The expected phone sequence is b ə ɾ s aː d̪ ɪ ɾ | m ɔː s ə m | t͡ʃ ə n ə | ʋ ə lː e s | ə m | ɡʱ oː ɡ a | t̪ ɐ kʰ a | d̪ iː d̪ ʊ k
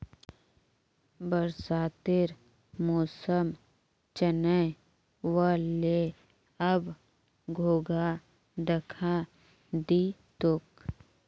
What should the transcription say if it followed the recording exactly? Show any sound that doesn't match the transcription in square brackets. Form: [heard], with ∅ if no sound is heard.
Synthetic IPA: b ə ɾ s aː [t̪] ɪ ɾ | m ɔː s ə m | t͡ʃ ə n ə | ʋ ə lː e [∅] | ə [b] | ɡʱ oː ɡ a | [d̪] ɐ kʰ a | d̪ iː [t̪] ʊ k